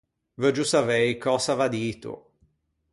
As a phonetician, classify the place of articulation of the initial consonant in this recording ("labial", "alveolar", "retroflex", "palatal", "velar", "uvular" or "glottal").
labial